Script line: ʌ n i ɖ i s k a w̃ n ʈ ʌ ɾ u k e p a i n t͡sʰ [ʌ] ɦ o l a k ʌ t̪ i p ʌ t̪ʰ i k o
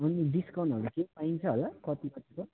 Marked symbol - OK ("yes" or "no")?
yes